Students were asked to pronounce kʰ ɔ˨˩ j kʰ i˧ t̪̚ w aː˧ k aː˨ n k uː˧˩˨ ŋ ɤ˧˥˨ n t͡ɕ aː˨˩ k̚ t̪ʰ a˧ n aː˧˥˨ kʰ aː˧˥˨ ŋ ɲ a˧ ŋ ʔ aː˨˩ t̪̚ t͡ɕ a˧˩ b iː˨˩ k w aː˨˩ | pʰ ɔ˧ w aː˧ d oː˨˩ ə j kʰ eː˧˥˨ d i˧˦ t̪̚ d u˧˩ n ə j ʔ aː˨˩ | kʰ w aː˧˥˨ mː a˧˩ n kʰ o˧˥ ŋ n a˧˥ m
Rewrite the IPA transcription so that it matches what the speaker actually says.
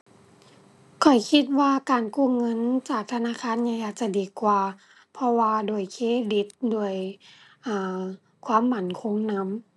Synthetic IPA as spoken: kʰ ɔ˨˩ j kʰ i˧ t̪̚ w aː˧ k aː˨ n k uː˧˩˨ ŋ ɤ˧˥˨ n t͡ɕ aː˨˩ k̚ t̪ʰ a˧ n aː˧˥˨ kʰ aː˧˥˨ n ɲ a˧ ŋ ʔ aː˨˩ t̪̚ t͡ɕ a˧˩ d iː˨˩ k w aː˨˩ | pʰ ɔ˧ w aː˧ d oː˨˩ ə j kʰ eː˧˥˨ d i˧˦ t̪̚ d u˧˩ ə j ʔ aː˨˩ | kʰ w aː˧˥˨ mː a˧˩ n kʰ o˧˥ ŋ n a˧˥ m

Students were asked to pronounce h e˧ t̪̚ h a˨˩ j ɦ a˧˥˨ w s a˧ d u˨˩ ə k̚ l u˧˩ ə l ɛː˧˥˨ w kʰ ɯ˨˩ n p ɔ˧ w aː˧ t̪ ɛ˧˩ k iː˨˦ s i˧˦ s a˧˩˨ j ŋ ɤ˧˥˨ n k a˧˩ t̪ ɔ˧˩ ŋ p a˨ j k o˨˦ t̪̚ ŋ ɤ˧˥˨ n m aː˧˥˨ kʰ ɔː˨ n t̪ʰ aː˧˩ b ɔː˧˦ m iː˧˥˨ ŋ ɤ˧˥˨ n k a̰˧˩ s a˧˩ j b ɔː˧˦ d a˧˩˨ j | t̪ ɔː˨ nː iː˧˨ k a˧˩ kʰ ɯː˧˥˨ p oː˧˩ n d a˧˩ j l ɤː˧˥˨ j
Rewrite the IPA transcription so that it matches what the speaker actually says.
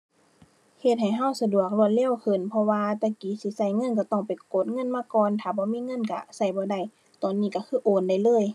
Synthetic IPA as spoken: h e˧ t̪̚ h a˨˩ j ɦ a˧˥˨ w s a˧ d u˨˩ ə k̚ l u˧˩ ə l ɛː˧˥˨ w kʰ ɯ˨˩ n pʰ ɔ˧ w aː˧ t̪ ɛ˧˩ k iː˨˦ s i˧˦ s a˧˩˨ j ŋ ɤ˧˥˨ n k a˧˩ t̪ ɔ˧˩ ŋ p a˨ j k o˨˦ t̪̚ ŋ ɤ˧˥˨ n m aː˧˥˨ k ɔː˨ n t̪ʰ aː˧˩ b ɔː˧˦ m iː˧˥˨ ŋ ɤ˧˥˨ n k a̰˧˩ s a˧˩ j b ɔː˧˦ d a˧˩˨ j | t̪ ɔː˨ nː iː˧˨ k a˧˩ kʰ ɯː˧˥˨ ʔ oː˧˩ n d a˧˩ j l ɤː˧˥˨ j

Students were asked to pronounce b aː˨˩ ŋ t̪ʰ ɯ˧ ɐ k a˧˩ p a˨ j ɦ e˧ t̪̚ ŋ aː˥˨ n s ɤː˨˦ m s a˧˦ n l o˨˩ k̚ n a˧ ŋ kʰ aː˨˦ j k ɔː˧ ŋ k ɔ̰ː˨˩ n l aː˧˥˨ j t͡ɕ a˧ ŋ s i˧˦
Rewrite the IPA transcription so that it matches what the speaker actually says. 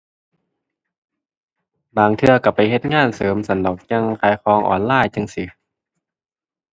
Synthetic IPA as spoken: b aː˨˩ ŋ t̪ʰ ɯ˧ ɐ k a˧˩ p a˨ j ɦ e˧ t̪̚ ŋ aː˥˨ n s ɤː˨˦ m s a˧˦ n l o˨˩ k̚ ɲ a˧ ŋ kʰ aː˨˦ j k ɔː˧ ŋ ʔ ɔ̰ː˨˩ n l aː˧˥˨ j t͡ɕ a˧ ŋ s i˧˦

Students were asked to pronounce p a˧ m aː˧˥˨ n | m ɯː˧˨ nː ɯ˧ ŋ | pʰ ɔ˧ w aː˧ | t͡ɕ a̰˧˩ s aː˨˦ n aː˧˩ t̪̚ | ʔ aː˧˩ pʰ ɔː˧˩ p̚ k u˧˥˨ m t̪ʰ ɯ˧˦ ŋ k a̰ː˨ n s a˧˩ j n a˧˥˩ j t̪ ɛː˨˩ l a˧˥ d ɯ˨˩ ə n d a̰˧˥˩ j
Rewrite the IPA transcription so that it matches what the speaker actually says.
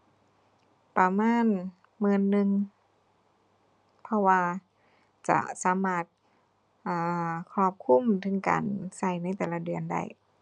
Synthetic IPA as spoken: p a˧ m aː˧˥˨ n | m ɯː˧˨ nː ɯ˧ ŋ | pʰ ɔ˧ w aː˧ | t͡ɕ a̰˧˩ s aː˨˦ m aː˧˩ t̪̚ | ʔ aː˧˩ kʰ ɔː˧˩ p̚ kʰ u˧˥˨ m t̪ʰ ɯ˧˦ ŋ k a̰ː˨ n s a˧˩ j n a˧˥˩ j t̪ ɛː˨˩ l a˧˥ d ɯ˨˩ ə n d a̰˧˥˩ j

